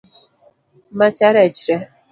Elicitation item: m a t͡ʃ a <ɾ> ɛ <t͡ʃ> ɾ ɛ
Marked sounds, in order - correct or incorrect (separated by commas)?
correct, correct